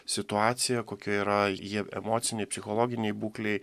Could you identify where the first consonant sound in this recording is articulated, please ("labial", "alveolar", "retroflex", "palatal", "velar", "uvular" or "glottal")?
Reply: alveolar